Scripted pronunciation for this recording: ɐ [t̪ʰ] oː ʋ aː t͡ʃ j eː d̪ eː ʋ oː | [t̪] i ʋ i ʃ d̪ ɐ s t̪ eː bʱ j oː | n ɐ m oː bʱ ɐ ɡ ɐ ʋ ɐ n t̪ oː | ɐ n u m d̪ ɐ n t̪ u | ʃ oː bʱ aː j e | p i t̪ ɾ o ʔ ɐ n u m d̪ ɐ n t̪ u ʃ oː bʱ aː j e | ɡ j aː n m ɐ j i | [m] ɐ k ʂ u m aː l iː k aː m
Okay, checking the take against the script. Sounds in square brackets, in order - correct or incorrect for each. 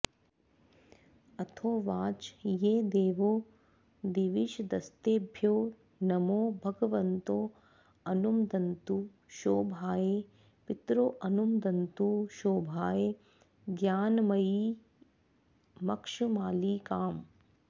correct, incorrect: d̪, correct

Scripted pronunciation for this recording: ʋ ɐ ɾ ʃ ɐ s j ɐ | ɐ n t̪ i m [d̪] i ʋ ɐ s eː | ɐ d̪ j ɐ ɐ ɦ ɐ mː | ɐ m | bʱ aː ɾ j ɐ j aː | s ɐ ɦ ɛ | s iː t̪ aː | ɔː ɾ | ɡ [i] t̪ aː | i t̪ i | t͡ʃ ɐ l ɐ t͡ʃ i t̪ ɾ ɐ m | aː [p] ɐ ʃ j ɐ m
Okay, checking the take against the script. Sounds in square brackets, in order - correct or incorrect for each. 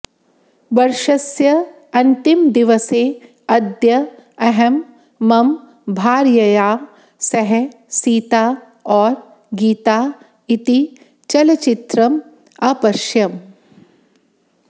correct, incorrect: iː, correct

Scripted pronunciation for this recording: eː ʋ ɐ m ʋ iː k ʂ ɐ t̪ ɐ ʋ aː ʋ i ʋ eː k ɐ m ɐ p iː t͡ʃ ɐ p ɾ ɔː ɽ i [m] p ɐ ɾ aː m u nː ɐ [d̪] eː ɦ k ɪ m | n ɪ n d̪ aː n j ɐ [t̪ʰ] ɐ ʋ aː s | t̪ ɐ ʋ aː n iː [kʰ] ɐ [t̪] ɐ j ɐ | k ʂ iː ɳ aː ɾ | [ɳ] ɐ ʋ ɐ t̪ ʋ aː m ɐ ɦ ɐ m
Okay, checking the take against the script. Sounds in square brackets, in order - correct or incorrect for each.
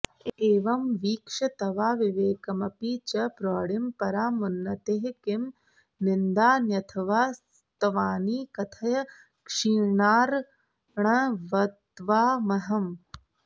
correct, incorrect: t̪, correct, incorrect: k, incorrect: t̪ʰ, correct

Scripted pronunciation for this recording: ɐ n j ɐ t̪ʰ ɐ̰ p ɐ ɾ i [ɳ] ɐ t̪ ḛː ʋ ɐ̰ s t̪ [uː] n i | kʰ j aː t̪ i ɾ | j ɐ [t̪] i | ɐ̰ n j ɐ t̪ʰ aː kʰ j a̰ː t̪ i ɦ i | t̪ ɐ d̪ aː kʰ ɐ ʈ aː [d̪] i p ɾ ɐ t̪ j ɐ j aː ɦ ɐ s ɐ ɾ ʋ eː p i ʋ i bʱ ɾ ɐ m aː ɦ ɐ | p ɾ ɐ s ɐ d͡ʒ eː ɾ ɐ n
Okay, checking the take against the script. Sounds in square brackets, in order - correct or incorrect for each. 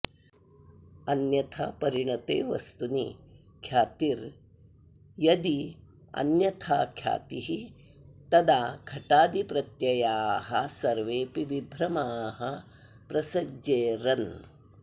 correct, incorrect: u, incorrect: d̪, correct

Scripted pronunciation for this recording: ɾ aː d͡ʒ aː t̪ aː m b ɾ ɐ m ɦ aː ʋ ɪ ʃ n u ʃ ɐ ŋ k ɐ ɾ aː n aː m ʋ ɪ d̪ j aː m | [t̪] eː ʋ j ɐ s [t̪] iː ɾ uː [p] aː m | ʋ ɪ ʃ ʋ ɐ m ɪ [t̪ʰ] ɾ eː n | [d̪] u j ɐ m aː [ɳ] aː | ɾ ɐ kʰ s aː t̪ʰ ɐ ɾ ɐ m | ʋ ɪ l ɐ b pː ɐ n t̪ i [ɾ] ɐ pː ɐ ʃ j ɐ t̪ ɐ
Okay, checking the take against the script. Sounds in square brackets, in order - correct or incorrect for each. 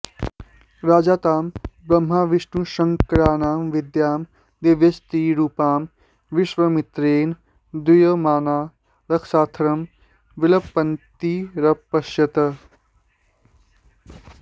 incorrect: d̪, correct, correct, incorrect: t̪, correct, incorrect: n, correct

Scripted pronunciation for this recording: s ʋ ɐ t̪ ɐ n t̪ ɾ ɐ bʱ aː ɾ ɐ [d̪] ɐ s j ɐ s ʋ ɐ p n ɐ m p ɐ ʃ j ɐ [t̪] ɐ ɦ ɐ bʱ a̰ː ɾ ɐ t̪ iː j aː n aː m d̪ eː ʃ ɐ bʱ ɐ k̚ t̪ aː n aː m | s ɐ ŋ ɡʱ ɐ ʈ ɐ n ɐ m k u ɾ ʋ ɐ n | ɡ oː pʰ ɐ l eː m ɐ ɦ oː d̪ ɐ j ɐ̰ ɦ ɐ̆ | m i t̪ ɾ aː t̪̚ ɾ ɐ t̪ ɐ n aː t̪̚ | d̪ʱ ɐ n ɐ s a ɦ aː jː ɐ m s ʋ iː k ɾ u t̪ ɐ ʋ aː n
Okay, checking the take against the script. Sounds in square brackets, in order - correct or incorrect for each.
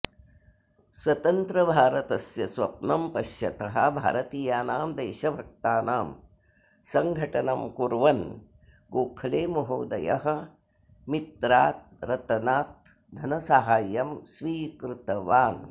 incorrect: t̪, correct

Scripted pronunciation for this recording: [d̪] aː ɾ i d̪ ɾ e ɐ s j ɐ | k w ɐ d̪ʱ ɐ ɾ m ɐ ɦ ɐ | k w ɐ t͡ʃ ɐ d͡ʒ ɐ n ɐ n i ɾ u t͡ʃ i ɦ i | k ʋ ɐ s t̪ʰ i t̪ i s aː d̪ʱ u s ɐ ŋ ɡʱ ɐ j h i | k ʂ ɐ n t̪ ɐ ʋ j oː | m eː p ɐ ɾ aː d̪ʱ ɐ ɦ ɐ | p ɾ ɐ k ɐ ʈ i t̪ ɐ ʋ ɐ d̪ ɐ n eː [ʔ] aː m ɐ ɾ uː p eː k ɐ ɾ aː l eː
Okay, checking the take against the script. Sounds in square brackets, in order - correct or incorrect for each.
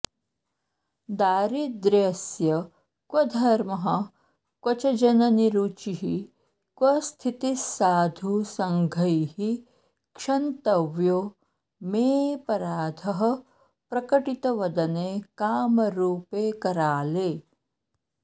correct, incorrect: k

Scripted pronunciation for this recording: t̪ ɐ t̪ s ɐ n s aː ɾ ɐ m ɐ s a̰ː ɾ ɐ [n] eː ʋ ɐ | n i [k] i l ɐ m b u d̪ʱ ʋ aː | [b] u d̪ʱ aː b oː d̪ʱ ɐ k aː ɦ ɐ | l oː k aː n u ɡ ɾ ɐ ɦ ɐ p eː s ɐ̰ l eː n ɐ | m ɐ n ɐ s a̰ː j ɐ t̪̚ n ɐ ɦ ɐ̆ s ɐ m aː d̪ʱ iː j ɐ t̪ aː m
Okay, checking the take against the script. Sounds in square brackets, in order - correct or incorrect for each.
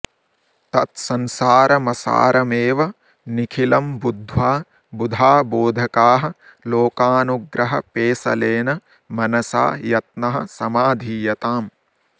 incorrect: m, incorrect: kʰ, correct

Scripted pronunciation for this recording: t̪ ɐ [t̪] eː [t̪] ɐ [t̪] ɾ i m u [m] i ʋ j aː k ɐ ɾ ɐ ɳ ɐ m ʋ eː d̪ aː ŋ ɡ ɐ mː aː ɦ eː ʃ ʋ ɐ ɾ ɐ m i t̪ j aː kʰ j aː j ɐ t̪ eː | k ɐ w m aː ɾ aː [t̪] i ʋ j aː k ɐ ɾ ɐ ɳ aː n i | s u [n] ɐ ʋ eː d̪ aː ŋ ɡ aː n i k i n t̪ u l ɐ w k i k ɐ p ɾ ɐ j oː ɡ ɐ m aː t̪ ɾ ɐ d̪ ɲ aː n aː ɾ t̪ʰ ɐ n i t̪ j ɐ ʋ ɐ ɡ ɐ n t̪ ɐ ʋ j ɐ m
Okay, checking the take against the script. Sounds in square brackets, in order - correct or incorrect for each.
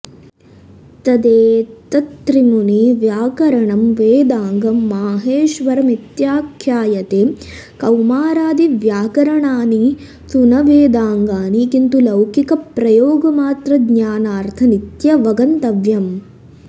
incorrect: d̪, correct, correct, incorrect: n, incorrect: d̪, correct

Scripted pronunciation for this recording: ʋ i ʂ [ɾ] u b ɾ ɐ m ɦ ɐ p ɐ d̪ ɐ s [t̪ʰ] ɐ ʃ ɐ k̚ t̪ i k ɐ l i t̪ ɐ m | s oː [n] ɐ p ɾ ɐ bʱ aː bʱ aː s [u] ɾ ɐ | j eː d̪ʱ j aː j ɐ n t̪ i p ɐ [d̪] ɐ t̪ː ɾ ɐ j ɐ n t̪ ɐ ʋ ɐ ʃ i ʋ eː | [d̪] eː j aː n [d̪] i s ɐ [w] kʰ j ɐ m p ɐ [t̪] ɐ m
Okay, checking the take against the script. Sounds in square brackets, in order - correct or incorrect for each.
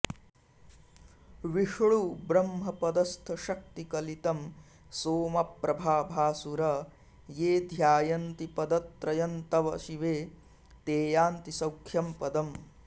incorrect: ɭ, correct, incorrect: m, correct, correct, incorrect: t̪, incorrect: t̪, correct, incorrect: d̪

